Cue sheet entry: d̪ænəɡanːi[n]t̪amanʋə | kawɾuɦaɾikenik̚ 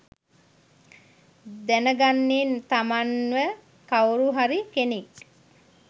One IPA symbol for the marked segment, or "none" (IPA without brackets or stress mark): n